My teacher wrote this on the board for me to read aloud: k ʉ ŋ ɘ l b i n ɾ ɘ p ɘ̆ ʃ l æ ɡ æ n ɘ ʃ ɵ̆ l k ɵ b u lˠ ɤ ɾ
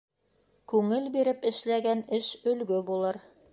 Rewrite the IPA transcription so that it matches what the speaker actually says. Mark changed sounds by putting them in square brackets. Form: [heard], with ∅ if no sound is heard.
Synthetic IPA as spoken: k ʉ ŋ ɘ l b i [∅] ɾ ɘ p ɘ̆ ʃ l æ ɡ æ n ɘ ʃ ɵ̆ l [ɡ] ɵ b u lˠ ɤ ɾ